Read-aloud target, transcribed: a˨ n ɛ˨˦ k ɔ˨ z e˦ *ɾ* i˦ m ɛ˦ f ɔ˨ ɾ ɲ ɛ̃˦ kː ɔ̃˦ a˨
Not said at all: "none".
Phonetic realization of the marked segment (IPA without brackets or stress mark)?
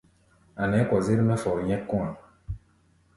ɾ